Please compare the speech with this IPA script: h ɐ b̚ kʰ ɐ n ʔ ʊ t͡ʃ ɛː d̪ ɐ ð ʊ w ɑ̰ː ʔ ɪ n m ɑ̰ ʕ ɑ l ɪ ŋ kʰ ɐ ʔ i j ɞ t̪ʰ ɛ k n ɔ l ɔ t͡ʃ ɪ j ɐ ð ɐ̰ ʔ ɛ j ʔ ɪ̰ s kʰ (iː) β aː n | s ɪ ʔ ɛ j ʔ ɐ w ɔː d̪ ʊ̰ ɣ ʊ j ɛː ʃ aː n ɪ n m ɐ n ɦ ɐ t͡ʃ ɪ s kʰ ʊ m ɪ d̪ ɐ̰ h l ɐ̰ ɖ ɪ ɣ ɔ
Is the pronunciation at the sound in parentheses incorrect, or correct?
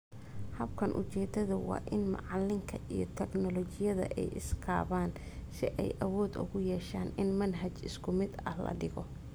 incorrect: aː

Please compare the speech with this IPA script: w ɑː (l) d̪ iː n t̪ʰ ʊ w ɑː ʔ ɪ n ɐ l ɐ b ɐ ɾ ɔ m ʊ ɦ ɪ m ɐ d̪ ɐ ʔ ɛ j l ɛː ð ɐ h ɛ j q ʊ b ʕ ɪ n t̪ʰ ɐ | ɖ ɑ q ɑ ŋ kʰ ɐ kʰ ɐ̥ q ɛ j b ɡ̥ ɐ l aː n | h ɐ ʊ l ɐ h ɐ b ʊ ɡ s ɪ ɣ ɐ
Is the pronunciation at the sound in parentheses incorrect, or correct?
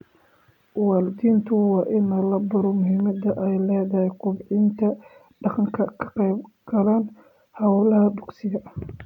correct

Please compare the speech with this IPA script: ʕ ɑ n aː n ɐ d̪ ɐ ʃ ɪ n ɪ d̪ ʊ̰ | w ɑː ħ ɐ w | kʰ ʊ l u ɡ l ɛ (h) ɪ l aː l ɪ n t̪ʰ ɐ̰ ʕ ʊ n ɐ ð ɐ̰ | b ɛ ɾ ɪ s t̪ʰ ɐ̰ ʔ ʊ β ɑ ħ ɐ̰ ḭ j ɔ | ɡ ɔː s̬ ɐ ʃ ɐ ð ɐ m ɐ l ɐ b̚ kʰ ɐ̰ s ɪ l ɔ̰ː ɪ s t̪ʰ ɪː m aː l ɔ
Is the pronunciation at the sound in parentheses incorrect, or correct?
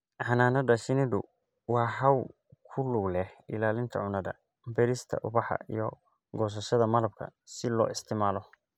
correct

